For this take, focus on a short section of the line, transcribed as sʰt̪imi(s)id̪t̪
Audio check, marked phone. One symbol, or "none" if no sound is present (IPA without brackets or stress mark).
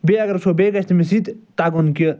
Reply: s